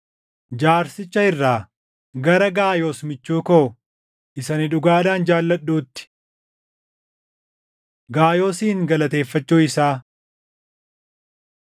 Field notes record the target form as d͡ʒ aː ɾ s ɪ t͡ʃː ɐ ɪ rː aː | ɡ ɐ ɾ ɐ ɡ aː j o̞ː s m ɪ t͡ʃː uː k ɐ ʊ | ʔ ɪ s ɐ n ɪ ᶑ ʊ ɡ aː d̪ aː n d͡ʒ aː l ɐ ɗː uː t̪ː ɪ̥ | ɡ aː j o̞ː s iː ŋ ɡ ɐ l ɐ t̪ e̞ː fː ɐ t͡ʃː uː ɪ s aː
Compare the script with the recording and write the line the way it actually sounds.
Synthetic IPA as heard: d͡ʒ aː ɾ s ɪ t͡ʃː ɐ ɪ rː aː | ɡ ɐ ɾ ɐ ɡ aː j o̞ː s m ɪ t͡ʃː uː k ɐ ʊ | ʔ ɪ s ɐ n ɪ ᶑ ʊ ɡ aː d̪ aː n d͡ʒ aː lː ɐ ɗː uː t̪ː ɪ̥ | ɡ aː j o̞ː s iː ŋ ɡ ɐ l ɐ t̪ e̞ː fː ɐ t͡ʃː uː ɪ s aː

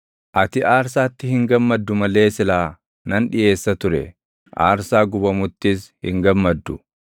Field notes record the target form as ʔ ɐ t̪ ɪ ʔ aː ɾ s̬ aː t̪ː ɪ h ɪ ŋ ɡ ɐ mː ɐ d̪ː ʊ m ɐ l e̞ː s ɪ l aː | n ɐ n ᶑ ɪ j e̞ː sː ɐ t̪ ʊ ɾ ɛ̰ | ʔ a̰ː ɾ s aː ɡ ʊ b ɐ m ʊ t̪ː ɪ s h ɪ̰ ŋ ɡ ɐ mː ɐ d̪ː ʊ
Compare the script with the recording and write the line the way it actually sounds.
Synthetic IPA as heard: ʔ ɐ t̪ ɪ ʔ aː ɾ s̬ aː t̪ː ɪ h ɪ ŋ ɡ ɐ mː ɐ d̪ː ʊ m ɐ l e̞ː s ɪ l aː | n ɐ n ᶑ ɪ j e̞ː sː ɐ t̪ ʊ ɾ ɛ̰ | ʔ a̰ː ɾ s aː ɡ ʊ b ɐ m ʊ t̪ː ɪ s h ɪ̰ ŋ ɡ ɐ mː ɐ d̪ː ʊ

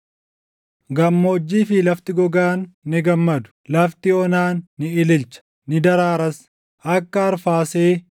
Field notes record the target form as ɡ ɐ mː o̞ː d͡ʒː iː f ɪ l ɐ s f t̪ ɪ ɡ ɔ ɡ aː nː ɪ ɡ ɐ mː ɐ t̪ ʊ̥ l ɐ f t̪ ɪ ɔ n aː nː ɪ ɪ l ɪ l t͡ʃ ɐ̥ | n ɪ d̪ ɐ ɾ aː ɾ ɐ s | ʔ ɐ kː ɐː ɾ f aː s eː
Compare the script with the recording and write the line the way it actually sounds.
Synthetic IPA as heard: ɡ ɐ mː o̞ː d͡ʒː iː f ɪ l ɐ f t̪ ɪ ɡ ɔ ɡ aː nː ɪ ɡ ɐ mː ɐ d̪ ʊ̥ l ɐ f t̪ ɪ ɔ n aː nː ɪ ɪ l ɪ l t͡ʃ ɐ̥ | n ɪ d̪ ɐ ɾ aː ɾ ɐ s | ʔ ɐ kː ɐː ɾ f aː s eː

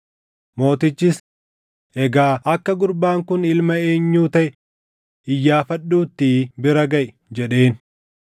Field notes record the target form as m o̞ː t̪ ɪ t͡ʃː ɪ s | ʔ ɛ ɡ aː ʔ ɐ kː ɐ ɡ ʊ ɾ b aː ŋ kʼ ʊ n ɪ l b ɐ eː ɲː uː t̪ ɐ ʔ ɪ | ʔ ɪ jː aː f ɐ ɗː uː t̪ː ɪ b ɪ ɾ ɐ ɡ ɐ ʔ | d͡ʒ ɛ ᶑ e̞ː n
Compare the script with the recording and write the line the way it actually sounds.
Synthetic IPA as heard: m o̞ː t̪ ɪ t͡ʃː ɪ s | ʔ ɛ ɡ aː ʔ ɐ kː ɐ ɡ ʊ ɾ b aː ŋ k ʊ n ɪ l m ɐ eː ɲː uː t̪ ɐ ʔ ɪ | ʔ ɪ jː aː f ɐ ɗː uː t̪ː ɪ b ɪ ɾ ɐ ɡ ɐ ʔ | d͡ʒ ɛ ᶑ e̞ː n

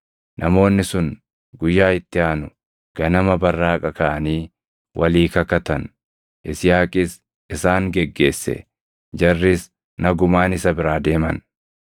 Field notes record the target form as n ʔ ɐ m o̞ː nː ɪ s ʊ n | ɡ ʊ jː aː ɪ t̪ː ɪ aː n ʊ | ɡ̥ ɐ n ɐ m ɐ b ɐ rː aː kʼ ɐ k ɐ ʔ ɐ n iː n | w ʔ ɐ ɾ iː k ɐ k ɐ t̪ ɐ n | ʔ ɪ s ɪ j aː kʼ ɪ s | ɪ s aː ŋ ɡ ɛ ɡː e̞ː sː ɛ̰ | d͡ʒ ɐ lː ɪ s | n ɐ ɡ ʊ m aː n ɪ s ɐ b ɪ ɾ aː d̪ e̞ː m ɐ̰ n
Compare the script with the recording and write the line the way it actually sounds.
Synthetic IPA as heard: n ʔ ɐ m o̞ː nː ɪ s ʊ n | ɡ ʊ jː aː ɪ t̪ː ɪ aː n ʊ | ɡ̥ ɐ n ɐ m ɐ b ɐ rː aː kʼ ɐ k ɐ ʔ ɐ n iː | w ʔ ɐ l iː k ɐ k ɐ t̪ ɐ n | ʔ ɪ s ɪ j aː kʼ ɪ s | ɪ s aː ŋ ɡ ɛ ɡː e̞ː sː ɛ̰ | d͡ʒ ɐ rː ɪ s | n ɐ ɡ ʊ m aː n ɪ s ɐ b ɪ ɾ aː d̪ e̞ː m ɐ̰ n

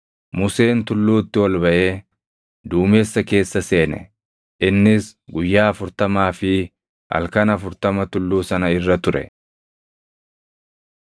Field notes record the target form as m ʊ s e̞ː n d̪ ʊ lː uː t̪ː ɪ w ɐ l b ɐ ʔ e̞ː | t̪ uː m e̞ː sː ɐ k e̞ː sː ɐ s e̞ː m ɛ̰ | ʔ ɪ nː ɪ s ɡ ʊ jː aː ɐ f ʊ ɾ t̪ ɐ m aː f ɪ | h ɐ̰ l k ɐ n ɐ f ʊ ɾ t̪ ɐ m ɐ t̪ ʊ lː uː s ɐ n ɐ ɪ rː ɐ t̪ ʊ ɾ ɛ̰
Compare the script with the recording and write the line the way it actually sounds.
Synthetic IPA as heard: m ʊ s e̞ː n t̪ ʊ lː uː t̪ː ɪ w ɐ l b ɐ ʔ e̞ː | d̪ uː m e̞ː sː ɐ k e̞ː sː ɐ s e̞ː n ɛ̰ | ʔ ɪ nː ɪ s ɡ ʊ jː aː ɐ f ʊ ɾ t̪ ɐ m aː f ɪ | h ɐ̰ l k ɐ n ɐ f ʊ ɾ t̪ ɐ m ɐ t̪ ʊ lː uː s ɐ n ɐ ɪ rː ɐ t̪ ʊ ɾ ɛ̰

